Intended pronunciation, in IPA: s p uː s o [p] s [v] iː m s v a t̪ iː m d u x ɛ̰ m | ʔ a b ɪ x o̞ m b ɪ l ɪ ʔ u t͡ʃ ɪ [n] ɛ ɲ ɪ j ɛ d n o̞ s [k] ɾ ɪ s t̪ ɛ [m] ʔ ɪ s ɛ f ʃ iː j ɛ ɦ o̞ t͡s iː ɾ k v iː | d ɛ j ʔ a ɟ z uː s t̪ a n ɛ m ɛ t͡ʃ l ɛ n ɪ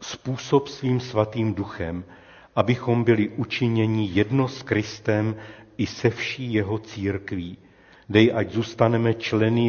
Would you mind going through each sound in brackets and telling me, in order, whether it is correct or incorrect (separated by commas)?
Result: correct, correct, incorrect, correct, correct